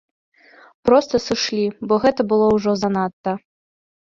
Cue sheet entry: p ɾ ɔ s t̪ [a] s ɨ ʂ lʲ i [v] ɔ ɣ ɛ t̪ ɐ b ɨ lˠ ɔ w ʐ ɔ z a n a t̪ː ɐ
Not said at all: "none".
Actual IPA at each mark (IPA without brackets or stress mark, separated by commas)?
ɐ, b